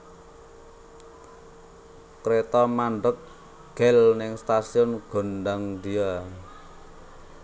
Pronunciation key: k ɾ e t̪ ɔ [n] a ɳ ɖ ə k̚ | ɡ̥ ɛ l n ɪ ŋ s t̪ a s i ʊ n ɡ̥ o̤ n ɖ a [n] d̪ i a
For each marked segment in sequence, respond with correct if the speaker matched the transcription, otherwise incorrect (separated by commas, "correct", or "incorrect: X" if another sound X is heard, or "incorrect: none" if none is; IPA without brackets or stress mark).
incorrect: m, incorrect: ŋ